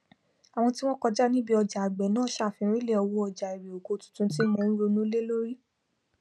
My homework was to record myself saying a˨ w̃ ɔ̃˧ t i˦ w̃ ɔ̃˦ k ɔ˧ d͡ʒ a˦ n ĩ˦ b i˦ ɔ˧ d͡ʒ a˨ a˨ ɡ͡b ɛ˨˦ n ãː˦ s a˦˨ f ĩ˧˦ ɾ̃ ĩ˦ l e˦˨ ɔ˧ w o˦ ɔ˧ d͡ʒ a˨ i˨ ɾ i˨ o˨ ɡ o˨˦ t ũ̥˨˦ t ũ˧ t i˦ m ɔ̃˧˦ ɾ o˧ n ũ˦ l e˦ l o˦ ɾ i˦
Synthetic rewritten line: a˨ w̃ ɔ̃˧ t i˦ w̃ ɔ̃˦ k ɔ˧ d͡ʒ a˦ n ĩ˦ b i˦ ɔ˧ d͡ʒ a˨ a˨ ɡ͡b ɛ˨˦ n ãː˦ ʃ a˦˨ f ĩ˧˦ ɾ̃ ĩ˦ l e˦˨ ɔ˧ w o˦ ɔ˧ d͡ʒ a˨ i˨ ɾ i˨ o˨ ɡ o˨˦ t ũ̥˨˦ t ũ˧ t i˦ m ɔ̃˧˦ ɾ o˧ n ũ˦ l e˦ l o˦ ɾ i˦